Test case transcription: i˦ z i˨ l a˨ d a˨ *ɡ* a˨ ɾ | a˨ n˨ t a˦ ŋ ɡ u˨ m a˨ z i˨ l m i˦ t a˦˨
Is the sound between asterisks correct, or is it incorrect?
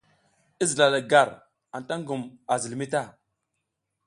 correct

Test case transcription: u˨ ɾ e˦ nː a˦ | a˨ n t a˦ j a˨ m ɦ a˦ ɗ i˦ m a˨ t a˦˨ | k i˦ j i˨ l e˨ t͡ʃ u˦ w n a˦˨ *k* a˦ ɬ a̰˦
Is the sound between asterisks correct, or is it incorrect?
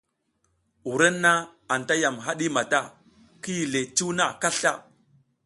correct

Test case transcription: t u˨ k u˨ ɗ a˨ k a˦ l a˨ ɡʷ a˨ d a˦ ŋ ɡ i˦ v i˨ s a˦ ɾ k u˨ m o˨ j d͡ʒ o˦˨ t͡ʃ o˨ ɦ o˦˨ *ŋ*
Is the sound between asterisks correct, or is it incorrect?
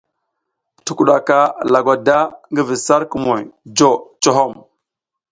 incorrect: m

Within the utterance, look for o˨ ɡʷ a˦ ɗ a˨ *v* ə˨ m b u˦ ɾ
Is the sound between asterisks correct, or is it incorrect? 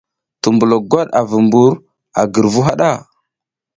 correct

